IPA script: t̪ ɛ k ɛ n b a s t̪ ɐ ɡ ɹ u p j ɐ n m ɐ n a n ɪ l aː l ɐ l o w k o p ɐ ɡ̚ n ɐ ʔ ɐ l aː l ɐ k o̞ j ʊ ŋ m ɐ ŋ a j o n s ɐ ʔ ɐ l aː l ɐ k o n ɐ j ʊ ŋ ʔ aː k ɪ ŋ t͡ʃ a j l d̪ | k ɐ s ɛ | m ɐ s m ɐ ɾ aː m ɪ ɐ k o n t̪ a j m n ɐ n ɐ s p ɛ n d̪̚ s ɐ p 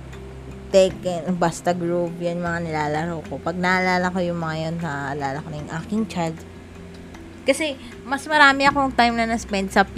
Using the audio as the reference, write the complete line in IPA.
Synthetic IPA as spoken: t̪ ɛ k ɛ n b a s t̪ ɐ ɡ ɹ u p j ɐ n m ɐ ŋ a n ɪ l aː l ɐ ɾ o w k o p ɐ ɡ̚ n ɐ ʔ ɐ l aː l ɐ k o̞ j ʊ ŋ m ɐ ŋ a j o n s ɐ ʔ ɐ l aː l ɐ k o n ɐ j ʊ ŋ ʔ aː k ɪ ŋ t͡ʃ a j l d̪ | k ɐ s ɛ | m ɐ s m ɐ ɾ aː m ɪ ɐ k o ŋ t̪ a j m n ɐ n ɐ s p ɛ n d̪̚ s ɐ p